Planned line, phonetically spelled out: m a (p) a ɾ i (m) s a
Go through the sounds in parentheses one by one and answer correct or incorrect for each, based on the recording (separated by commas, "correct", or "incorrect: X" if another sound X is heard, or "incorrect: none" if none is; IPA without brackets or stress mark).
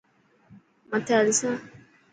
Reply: incorrect: t, incorrect: none